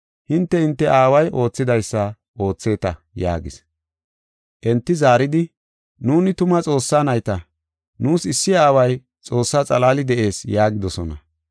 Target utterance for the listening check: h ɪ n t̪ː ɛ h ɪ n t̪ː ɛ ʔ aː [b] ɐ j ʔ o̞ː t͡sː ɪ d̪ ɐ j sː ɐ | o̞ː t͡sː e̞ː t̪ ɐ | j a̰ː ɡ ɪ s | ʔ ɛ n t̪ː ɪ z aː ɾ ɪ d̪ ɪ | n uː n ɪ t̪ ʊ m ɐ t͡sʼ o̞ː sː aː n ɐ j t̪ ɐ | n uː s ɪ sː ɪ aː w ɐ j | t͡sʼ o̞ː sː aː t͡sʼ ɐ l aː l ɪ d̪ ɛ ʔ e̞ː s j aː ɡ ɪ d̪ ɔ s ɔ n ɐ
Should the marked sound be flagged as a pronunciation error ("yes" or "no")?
yes